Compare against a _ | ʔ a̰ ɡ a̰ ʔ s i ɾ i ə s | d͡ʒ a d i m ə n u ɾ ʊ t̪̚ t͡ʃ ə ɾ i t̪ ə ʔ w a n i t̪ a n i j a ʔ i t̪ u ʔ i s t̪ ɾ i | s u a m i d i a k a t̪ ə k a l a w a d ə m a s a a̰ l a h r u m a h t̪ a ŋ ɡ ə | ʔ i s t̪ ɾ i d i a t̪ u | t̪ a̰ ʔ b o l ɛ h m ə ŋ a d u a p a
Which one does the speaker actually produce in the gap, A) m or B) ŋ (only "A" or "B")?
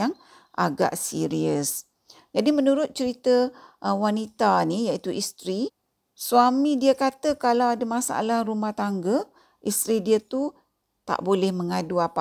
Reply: B